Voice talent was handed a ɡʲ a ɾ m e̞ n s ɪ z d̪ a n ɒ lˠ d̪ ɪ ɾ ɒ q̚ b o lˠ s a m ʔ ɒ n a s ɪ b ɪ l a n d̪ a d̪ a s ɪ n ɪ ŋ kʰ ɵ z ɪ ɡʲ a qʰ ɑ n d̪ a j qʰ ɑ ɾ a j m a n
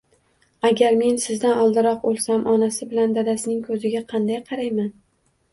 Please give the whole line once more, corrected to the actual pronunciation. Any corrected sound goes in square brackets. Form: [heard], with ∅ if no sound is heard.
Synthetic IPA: a ɡʲ a ɾ m e̞ n s ɪ z d̪ a n ɒ lˠ d̪ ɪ ɾ ɒ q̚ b o lˠ s a m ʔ ɒ n a s ɪ b ɪ l a n d̪ a d̪ a s ɪ n ɪ ŋ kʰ ɵ z ɪ ɡʲ a qʰ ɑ n d̪ a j qʰ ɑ ɾ a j m a n